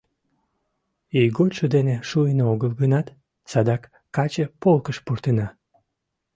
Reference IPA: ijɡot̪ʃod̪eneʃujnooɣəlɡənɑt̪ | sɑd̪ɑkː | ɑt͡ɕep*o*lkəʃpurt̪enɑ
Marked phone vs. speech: correct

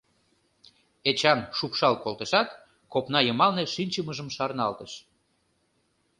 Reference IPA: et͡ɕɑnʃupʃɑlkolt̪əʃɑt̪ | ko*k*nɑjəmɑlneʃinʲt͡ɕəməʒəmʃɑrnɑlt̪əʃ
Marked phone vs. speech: incorrect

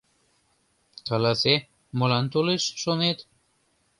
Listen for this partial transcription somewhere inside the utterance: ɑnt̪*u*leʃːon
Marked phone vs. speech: incorrect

